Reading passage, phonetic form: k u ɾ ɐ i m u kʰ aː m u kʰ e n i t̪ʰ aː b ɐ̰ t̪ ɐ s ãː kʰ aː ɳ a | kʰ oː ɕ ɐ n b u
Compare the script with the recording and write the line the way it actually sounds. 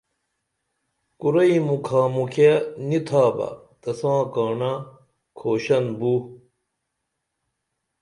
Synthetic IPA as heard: k u ɾ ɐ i m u kʰ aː m u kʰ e n i t̪ʰ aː b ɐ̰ t̪ ɐ s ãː k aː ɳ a | kʰ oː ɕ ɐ n b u